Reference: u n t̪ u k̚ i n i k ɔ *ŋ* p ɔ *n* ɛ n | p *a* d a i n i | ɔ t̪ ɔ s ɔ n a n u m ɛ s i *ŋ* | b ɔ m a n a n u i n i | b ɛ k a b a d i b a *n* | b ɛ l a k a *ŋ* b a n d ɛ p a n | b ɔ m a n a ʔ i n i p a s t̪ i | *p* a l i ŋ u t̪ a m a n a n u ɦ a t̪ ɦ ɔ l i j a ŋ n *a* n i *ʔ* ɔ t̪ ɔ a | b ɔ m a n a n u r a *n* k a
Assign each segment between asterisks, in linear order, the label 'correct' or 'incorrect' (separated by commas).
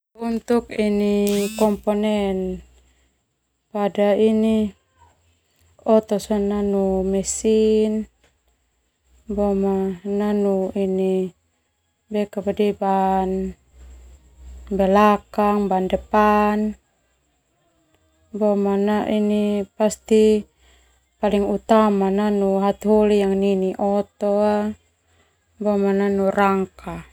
incorrect, correct, correct, incorrect, correct, correct, correct, incorrect, correct, incorrect